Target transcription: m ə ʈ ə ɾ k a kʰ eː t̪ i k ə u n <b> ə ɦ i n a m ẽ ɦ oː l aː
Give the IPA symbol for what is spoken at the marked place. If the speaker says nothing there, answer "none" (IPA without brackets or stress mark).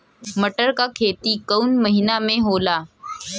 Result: m